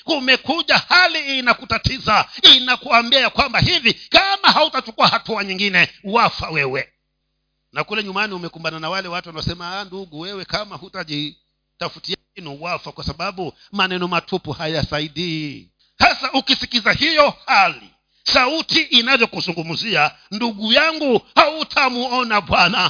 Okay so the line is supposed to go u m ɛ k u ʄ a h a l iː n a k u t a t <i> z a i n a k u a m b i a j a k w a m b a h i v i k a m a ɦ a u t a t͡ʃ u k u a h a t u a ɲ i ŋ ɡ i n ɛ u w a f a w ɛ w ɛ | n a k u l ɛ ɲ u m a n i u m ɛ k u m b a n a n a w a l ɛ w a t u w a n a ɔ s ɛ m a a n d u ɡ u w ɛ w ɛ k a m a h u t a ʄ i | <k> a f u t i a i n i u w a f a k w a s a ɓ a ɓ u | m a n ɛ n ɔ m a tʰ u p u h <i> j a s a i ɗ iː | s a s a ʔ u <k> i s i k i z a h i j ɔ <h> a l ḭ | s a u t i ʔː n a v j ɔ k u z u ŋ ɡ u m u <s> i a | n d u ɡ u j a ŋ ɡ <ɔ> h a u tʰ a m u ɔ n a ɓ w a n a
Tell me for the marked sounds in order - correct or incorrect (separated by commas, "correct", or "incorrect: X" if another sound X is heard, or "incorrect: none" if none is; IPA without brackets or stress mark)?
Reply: correct, incorrect: t, incorrect: a, correct, correct, incorrect: z, incorrect: u